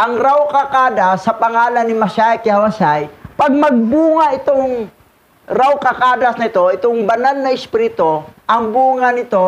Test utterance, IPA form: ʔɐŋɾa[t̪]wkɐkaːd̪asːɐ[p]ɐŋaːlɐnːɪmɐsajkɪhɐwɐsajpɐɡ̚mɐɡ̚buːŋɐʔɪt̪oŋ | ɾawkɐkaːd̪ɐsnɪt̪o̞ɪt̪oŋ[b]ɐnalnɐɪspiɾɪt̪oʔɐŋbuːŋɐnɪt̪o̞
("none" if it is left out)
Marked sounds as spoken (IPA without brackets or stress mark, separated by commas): none, p, b